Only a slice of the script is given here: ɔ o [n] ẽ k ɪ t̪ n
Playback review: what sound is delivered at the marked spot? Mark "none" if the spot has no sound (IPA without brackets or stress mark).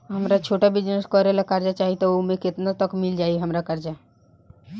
m